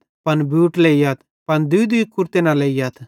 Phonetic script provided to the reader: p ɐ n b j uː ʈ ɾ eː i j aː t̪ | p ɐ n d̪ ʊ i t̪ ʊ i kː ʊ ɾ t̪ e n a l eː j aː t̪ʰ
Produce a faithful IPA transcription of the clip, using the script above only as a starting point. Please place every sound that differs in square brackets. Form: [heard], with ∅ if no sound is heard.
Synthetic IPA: p ɐ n b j uː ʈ [l] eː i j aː t̪ | p ɐ n d̪ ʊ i [d̪] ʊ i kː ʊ ɾ t̪ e n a l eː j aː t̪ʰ

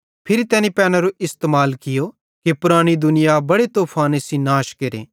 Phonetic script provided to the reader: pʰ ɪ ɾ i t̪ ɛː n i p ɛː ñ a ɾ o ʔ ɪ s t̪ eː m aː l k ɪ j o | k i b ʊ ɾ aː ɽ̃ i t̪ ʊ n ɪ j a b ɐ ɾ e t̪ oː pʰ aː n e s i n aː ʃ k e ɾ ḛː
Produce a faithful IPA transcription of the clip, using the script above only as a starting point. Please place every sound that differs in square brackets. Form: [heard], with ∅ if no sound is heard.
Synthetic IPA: pʰ ɪ ɾ i t̪ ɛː n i p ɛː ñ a ɾ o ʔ ɪ s t̪ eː m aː l k ɪ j o | k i [p] ʊ ɾ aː ɽ̃ i [d̪] ʊ n ɪ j a b ɐ [ɽ] e t̪ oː pʰ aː n e s i n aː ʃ k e ɾ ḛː

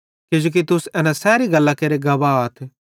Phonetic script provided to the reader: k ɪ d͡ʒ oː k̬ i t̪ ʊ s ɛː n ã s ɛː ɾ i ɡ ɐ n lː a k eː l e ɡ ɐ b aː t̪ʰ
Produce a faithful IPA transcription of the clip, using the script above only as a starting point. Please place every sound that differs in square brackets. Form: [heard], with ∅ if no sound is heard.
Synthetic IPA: k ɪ d͡ʒ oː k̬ i t̪ ʊ s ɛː n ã s ɛː ɾ i ɡ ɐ [∅] lː a k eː [ɾ] e ɡ ɐ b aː t̪ʰ

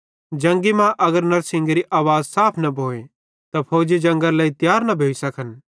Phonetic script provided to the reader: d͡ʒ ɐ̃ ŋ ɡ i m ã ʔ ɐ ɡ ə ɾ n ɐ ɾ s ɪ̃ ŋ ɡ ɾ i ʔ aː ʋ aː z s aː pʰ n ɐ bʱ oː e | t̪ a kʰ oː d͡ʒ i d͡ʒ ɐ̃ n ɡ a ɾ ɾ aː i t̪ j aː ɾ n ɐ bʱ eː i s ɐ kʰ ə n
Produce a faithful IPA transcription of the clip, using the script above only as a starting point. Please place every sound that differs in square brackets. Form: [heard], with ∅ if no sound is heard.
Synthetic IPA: d͡ʒ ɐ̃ ŋ ɡ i m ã ʔ ɐ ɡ ə ɾ n ɐ ɾ s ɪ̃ ŋ ɡ ɾ i ʔ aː ʋ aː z s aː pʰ n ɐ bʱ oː e | t̪ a [pʰ] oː d͡ʒ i d͡ʒ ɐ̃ [ŋ] ɡ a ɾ [l] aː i t̪ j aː ɾ n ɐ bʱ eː i s ɐ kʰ ə n

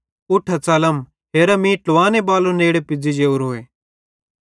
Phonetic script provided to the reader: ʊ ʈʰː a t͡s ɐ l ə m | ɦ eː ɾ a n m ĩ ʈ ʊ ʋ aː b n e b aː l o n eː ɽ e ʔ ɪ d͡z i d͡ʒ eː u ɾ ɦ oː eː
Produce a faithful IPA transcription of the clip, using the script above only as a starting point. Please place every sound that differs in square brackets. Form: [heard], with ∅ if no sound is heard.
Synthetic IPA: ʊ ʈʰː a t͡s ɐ l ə m | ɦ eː ɾ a [∅] m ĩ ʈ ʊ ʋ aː [∅] n e b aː l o n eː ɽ e [p] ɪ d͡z i d͡ʒ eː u ɾ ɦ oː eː

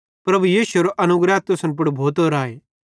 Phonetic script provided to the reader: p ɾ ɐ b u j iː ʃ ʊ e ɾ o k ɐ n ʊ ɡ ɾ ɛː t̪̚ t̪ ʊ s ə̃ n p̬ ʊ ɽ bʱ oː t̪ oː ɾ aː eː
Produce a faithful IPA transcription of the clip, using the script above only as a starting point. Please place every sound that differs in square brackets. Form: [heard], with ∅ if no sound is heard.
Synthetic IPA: p ɾ ɐ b u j iː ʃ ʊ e ɾ o [ʔ] ɐ n ʊ ɡ ɾ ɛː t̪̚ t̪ ʊ s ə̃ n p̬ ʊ ɽ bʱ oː t̪ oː ɾ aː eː

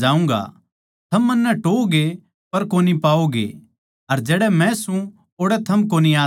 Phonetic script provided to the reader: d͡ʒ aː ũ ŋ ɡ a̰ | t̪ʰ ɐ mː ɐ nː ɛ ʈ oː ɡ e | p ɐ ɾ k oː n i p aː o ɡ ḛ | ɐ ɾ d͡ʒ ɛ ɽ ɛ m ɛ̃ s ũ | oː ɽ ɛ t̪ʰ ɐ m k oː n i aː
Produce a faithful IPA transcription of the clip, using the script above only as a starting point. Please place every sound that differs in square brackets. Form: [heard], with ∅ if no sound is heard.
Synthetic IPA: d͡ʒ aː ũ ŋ ɡ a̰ | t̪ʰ ɐ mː ɐ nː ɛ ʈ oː ɡ e | p ɐ ɾ k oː n i p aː o ɡ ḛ | ɐ ɾ d͡ʒ [ɛː] ɽ ɛ m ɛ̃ s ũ | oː ɽ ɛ t̪ʰ ɐ m k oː n i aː

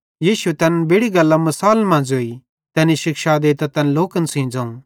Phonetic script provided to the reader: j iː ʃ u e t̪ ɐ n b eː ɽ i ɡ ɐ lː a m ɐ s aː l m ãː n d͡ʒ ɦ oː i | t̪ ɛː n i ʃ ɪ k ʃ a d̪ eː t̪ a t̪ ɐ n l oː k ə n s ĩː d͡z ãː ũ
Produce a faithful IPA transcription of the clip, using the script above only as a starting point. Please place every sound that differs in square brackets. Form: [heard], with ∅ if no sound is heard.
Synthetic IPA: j iː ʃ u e t̪ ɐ n b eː ɽ i ɡ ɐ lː a m ɐ s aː l m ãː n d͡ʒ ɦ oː i | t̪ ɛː n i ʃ ɪ k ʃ a d̪ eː t̪ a t̪ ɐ n l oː k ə n s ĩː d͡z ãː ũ

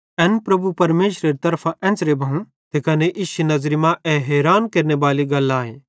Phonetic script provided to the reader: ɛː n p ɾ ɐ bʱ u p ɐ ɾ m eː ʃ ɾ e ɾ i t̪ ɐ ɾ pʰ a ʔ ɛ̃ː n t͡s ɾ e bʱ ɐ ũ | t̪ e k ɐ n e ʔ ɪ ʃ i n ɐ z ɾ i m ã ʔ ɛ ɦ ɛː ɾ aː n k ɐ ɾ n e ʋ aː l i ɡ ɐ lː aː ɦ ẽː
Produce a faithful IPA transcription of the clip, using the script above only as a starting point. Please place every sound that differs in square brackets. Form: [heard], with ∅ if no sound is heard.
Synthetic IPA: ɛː n p ɾ ɐ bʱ u p ɐ ɾ m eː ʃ ɾ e ɾ i t̪ ɐ ɾ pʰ a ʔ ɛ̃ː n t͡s ɾ e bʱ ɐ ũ | t̪ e k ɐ n e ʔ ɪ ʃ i n ɐ z ɾ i m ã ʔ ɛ ɦ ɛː ɾ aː n k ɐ ɾ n e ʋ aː l i ɡ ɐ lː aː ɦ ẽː

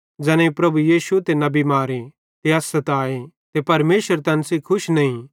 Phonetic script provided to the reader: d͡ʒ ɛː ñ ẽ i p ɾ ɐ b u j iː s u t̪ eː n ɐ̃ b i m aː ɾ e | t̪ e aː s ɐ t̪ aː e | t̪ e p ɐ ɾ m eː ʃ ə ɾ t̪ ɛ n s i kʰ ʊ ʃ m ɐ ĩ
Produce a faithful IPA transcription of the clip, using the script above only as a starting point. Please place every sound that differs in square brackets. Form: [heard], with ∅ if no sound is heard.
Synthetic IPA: d͡ʒ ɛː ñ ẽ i p ɾ ɐ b u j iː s u t̪ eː n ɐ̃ b i m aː ɾ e | t̪ e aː s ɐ t̪ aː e | t̪ e p ɐ ɾ m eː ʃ ə ɾ t̪ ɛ n s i kʰ ʊ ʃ [n] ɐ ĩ

